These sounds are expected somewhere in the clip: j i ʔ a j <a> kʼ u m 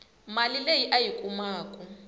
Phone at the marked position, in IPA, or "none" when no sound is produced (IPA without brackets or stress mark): i